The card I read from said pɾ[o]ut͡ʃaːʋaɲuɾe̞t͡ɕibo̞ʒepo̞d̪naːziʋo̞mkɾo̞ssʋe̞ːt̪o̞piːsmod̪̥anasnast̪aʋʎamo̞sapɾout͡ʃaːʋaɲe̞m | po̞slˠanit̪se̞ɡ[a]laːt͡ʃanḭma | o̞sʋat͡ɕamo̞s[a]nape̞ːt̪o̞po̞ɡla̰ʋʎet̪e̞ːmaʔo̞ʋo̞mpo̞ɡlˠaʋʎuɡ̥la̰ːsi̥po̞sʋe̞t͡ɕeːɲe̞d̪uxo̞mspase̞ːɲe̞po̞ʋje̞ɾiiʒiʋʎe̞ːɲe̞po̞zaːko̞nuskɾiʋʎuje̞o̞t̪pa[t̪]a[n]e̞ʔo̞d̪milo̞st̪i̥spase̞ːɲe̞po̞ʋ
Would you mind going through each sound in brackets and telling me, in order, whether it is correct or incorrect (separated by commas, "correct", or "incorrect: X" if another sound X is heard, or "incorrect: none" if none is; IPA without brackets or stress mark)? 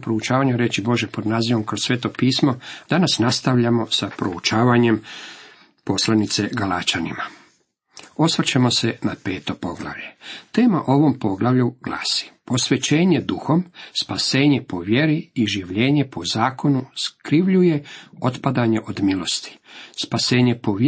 correct, correct, incorrect: e, incorrect: d̪, incorrect: ɲ